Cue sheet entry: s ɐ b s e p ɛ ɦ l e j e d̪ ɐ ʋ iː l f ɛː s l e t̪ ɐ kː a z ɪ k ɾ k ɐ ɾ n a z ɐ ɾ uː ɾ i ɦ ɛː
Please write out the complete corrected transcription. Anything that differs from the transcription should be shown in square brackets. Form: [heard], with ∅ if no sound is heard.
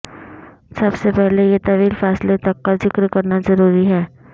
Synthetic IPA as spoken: s ɐ b s e p ɛ ɦ l e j e [t̪] ɐ ʋ iː l f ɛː s l e t̪ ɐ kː a z ɪ k ɾ k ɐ ɾ n a z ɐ ɾ uː ɾ i ɦ ɛː